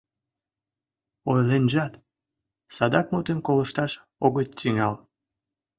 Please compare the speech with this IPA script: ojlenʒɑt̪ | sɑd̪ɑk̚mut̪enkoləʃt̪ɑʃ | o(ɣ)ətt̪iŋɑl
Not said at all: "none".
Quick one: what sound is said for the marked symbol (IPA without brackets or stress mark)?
ɣ